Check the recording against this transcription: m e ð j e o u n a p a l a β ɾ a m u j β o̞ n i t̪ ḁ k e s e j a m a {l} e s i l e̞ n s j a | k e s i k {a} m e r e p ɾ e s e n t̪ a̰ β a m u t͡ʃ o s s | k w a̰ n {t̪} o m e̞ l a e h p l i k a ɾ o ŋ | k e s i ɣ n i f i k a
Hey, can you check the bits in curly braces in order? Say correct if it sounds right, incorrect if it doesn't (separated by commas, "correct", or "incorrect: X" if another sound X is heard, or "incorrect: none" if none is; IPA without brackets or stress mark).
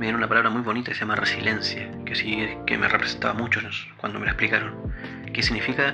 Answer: incorrect: r, incorrect: e, incorrect: d̪